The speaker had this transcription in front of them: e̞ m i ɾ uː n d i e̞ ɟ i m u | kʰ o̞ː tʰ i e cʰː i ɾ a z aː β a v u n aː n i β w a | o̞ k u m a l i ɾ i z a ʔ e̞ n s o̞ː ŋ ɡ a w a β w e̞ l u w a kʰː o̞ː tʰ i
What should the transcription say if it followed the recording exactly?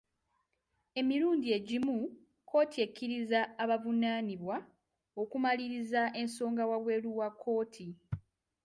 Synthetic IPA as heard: e̞ m i ɾ uː n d i e̞ ɟ i m u | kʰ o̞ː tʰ i e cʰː i ɾ i z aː β a v u n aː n i β w a | o̞ k u m a l i ɾ i z a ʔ e̞ n s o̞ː ŋ ɡ a w a β w e̞ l u w a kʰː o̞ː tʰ i